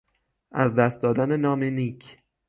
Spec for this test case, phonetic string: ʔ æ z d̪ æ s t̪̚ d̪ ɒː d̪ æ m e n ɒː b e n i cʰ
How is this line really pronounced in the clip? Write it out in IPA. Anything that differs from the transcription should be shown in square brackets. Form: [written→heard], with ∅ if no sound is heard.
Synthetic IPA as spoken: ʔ æ z d̪ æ s t̪̚ d̪ ɒː d̪ æ [m→n] e n ɒː [b→m] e n i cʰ